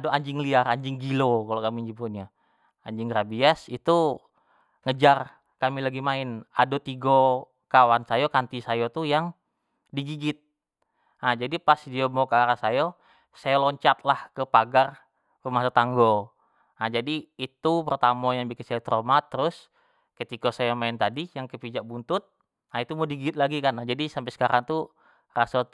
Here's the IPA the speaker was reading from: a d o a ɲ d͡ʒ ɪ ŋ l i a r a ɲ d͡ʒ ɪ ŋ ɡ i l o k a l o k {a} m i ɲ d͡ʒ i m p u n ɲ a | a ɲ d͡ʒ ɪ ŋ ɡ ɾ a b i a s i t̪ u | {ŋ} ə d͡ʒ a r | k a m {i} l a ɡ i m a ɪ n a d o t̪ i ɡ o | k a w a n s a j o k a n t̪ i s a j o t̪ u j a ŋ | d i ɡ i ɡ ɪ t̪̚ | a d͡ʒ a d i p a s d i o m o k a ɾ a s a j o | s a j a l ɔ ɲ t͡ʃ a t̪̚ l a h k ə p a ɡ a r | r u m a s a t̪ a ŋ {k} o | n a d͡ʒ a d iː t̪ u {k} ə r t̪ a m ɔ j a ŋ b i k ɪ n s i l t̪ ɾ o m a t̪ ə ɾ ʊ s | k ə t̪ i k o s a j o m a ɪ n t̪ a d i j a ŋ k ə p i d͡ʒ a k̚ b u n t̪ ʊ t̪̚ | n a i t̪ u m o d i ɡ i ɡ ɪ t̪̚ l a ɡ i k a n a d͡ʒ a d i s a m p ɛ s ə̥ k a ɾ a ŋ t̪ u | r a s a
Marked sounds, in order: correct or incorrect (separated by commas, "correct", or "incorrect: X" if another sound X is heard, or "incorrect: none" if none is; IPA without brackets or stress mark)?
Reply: correct, correct, correct, incorrect: ɡ, incorrect: p